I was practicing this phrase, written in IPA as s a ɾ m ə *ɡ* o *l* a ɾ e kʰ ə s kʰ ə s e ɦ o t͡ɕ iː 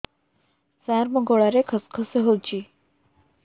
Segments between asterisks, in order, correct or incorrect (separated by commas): correct, incorrect